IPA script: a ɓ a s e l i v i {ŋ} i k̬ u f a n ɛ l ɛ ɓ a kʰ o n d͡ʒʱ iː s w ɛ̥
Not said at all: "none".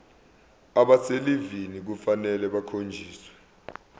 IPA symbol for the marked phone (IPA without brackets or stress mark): n